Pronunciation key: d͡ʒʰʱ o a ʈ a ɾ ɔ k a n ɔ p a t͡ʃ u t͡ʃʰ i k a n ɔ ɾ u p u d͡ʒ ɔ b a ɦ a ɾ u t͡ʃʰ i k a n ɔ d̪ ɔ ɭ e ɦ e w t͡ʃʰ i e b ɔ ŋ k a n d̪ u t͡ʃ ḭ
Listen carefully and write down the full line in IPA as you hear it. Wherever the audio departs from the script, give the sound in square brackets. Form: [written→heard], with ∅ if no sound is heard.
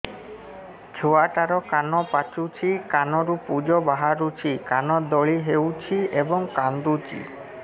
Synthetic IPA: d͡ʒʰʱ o a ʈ a ɾ ɔ k a n ɔ p a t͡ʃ u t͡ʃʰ i k a n ɔ ɾ u p u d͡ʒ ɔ b a ɦ a ɾ u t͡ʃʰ i k a n ɔ d̪ ɔ ɭ [e→i] ɦ e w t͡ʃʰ i e b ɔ ŋ k a n d̪ u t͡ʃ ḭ